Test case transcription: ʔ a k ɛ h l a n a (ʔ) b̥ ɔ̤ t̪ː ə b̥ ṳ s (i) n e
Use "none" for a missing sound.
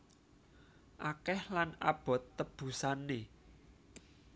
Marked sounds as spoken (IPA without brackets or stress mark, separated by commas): none, a